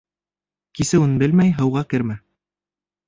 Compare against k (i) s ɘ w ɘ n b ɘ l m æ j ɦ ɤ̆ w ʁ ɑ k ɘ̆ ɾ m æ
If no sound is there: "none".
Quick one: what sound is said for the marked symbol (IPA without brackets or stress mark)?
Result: i